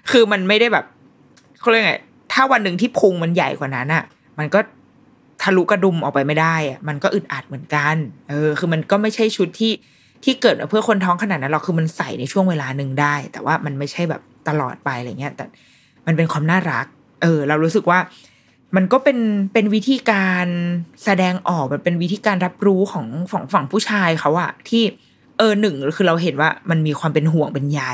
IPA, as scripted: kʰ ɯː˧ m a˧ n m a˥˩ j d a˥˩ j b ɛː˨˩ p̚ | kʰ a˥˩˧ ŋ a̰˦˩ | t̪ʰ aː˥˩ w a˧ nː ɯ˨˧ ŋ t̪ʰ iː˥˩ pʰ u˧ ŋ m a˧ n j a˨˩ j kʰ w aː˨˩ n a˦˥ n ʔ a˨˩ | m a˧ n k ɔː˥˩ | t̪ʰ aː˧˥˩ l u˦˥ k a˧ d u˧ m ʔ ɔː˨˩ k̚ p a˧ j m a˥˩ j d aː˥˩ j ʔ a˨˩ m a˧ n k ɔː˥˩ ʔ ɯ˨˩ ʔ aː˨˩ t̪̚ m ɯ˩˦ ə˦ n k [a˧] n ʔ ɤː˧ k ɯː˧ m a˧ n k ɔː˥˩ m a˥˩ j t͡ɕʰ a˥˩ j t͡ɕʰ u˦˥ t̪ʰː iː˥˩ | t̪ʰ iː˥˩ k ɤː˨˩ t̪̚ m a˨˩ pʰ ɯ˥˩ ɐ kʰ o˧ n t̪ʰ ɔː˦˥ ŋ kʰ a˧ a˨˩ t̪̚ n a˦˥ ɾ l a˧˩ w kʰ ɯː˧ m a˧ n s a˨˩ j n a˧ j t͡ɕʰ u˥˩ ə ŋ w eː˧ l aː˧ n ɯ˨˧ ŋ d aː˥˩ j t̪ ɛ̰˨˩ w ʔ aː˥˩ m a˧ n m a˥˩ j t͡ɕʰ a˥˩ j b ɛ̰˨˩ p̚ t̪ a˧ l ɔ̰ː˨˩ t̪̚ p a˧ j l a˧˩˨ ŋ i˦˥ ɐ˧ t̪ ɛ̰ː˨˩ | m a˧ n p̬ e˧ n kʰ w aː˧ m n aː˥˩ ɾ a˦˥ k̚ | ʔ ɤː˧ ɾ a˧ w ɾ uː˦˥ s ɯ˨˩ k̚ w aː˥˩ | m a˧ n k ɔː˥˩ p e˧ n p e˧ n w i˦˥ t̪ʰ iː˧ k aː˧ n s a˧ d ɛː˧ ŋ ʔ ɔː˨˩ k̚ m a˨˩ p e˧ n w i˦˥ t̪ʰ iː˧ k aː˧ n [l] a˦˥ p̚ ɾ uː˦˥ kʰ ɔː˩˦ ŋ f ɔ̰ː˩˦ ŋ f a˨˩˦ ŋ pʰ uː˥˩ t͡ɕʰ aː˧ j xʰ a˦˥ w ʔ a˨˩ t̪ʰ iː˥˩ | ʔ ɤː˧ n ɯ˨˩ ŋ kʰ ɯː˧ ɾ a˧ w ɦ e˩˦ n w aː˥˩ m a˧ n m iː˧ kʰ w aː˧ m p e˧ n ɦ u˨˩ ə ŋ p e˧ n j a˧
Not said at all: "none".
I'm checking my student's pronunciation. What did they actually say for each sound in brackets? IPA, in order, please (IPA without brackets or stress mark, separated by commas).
a˧, ɾ